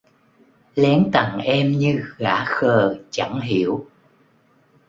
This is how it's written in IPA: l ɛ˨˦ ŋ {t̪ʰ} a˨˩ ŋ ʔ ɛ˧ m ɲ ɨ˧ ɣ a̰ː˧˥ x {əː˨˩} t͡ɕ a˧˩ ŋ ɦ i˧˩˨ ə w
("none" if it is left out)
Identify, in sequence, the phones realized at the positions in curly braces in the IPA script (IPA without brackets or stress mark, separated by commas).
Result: t̪, əː˨˩